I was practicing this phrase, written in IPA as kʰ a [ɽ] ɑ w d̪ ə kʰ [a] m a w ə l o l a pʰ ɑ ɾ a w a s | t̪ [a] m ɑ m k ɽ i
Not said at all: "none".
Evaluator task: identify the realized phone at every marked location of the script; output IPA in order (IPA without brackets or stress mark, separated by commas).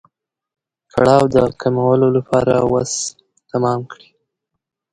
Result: ɽ, a, a